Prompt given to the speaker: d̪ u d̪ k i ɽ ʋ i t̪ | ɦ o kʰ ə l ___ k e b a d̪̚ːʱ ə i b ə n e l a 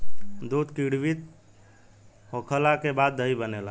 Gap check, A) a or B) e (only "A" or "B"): A